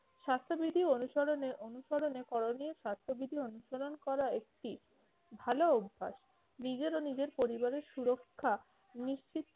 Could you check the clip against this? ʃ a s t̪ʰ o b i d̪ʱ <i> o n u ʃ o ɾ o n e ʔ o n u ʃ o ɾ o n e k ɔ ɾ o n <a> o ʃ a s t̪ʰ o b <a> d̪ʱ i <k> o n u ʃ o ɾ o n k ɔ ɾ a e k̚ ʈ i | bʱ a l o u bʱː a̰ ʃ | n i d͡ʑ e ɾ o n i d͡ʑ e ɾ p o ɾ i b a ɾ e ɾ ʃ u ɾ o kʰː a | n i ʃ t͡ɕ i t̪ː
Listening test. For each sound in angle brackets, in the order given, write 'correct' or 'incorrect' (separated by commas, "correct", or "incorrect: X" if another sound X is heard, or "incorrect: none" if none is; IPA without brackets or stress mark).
correct, incorrect: i, incorrect: i, incorrect: none